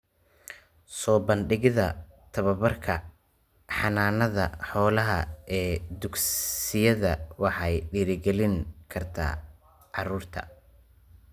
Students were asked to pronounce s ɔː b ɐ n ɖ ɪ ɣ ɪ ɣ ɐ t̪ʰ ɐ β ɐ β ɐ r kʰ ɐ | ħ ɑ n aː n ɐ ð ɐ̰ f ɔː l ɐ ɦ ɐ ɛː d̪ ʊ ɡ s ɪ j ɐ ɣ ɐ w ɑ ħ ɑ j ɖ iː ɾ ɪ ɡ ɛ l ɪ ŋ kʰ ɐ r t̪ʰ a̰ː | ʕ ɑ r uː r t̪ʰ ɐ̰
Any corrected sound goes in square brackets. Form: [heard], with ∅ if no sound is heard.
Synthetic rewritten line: s ɔː b ɐ n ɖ ɪ ɣ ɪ [ð] ɐ t̪ʰ ɐ β ɐ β ɐ r kʰ ɐ | ħ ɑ n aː n ɐ ð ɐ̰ [ħ] ɔː l ɐ ɦ ɐ ɛː d̪ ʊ ɡ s ɪ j ɐ [ð] ɐ w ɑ ħ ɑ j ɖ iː ɾ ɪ ɡ ɛ l ɪ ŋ kʰ ɐ r t̪ʰ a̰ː | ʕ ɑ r uː r t̪ʰ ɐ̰

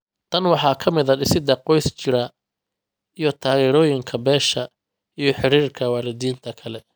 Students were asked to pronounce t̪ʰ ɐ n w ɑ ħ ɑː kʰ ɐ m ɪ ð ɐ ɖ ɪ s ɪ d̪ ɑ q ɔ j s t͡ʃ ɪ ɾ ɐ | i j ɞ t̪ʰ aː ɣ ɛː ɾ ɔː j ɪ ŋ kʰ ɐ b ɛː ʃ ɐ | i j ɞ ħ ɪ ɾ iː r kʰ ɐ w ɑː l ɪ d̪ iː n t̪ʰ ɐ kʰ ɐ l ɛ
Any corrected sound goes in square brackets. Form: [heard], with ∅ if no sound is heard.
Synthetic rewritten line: t̪ʰ ɐ n w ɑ ħ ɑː kʰ ɐ m ɪ ð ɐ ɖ ɪ s ɪ d̪ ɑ q ɔ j s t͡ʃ ɪ ɾ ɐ | i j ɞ t̪ʰ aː ɣ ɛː ɾ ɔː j ɪ ŋ kʰ ɐ b ɛː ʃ ɐ | i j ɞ ħ ɪ ɾ iː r kʰ ɐ w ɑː l ɪ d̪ iː n t̪ʰ ɐ kʰ ɐ l ɛ

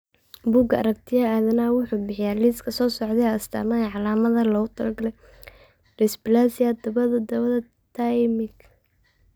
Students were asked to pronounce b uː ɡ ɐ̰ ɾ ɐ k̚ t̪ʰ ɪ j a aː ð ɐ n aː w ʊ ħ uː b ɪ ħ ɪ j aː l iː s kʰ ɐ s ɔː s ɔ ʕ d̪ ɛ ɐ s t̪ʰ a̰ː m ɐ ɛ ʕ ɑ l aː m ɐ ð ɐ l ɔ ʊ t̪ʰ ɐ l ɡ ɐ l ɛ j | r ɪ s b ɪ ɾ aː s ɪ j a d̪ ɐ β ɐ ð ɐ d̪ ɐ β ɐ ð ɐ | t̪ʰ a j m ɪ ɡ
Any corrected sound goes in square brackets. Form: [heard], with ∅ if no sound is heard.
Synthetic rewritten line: b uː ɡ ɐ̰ ɾ ɐ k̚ t̪ʰ ɪ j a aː ð ɐ n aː w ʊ ħ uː b ɪ ħ ɪ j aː l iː s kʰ ɐ s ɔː s ɔ ʕ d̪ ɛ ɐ s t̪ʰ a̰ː m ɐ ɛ ʕ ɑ l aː m ɐ ð ɐ l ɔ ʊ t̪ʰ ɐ l ɡ ɐ l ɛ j | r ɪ s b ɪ [l] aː s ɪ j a d̪ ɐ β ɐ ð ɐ d̪ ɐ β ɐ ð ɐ | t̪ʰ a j m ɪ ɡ

